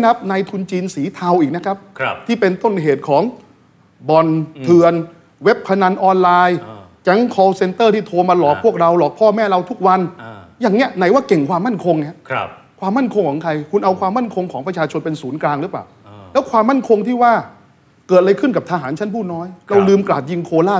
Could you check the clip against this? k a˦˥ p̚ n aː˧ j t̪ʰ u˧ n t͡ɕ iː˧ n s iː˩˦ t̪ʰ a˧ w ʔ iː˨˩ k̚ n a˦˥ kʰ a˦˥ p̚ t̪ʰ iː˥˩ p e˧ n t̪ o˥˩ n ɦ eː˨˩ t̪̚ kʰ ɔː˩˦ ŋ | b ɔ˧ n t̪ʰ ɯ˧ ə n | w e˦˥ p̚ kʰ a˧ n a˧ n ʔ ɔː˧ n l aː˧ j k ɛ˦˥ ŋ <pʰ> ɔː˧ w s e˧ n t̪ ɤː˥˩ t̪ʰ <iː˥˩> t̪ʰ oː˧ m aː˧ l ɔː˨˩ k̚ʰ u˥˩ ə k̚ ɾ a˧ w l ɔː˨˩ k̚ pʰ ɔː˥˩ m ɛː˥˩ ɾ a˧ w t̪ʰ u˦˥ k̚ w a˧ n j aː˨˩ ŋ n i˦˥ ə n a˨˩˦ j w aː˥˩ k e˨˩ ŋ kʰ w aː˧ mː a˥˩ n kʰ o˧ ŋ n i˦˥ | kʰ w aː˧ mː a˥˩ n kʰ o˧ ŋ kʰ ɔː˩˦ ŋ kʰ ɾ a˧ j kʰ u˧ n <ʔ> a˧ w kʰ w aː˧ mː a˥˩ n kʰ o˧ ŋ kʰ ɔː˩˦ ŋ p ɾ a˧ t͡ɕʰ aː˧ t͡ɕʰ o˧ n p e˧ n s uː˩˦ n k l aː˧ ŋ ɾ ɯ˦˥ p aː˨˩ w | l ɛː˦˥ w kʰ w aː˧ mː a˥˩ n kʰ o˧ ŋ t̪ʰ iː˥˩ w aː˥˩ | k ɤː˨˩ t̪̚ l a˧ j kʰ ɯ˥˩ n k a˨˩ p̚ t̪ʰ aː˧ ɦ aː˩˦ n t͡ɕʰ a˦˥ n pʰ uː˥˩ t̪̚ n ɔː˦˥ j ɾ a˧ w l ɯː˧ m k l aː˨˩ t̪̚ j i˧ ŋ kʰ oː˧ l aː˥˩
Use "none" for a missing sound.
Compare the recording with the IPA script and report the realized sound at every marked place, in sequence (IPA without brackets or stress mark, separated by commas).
kʰ, iː˥˩, ʔ